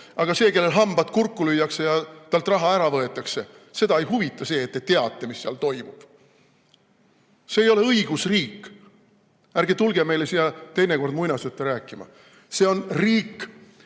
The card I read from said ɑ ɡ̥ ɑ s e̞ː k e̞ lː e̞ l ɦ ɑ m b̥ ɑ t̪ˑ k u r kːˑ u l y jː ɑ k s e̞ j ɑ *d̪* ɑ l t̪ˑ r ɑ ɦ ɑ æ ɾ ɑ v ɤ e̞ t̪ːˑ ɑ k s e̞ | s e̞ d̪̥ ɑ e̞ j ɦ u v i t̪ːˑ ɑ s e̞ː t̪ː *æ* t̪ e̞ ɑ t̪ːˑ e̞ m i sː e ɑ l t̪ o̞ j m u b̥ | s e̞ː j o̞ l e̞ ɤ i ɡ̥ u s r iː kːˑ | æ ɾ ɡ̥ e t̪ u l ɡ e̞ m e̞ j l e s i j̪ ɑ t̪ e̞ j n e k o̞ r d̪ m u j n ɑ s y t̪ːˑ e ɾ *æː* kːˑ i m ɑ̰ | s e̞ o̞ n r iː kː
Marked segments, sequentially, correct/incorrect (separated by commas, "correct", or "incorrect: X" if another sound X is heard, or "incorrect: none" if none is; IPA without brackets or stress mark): incorrect: t̪, incorrect: e, correct